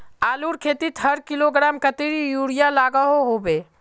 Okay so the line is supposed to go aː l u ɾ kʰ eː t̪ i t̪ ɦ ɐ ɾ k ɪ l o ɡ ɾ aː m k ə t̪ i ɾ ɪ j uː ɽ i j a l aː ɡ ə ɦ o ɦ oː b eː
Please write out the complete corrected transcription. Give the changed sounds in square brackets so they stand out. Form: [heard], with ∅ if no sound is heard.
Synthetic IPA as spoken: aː l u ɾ kʰ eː t̪ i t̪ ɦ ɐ ɾ k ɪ l o ɡ ɾ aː m k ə t̪ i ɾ [i] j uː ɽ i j a l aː ɡ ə ɦ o ɦ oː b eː

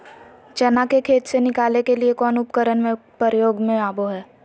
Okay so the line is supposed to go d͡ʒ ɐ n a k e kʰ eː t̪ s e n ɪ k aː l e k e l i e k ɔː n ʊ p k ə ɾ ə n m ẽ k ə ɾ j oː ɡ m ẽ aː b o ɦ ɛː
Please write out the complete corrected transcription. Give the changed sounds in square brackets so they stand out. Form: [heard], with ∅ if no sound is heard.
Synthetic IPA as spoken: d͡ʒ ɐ n a k e kʰ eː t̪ s e n ɪ k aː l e k e l i e k ɔː n ʊ p k ə ɾ ə n m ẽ [p] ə ɾ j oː ɡ m ẽ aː b o ɦ ɛː

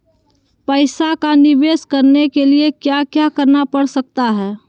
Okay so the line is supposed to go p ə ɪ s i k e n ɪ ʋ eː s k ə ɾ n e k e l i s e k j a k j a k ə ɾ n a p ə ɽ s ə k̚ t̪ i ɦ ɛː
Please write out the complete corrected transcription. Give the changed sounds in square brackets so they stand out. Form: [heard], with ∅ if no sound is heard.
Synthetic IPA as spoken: p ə ɪ s [a] k [a] n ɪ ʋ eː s k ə ɾ n e k e l i [∅] e k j a k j a k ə ɾ n a p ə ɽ s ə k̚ t̪ [a] ɦ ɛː

